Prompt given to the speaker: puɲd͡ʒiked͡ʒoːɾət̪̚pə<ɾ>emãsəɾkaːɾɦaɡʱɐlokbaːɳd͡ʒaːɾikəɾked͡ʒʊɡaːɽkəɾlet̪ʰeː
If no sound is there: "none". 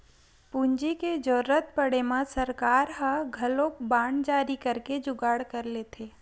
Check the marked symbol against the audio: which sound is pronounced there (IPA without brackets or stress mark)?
ɽ